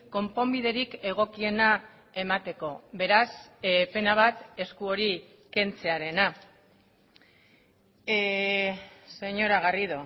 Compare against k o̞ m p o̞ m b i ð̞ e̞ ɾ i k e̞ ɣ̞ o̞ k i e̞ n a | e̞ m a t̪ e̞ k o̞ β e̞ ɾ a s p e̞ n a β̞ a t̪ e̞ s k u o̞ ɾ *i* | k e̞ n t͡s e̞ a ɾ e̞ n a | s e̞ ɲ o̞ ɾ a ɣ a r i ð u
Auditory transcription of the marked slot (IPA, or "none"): i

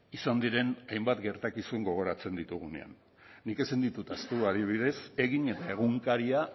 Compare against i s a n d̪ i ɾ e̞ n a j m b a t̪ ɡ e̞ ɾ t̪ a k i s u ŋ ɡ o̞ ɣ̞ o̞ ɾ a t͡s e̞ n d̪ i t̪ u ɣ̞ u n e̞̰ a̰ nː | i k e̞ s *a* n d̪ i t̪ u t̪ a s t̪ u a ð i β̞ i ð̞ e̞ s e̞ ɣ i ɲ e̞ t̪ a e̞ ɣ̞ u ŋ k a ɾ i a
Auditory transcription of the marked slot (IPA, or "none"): i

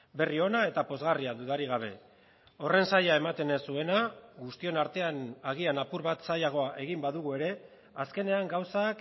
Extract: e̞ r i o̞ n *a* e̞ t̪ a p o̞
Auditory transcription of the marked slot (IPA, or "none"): a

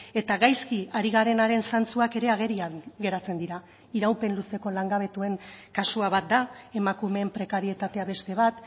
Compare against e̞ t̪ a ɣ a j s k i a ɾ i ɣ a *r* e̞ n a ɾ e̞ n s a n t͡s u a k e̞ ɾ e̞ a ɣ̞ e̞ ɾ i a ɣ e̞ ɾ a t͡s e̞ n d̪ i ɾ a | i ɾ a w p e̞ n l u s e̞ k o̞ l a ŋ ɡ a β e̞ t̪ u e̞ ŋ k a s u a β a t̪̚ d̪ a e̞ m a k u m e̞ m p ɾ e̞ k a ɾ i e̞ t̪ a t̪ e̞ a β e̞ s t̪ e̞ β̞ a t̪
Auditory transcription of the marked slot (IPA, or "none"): ɾ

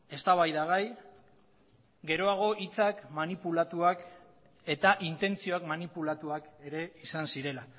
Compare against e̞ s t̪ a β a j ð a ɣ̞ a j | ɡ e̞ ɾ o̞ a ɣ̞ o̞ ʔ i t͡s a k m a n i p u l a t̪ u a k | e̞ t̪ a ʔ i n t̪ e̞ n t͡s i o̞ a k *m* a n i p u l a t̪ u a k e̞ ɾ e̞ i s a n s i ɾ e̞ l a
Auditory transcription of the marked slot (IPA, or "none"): m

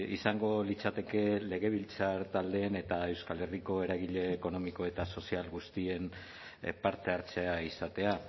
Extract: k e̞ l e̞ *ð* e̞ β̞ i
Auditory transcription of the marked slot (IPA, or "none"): ɣ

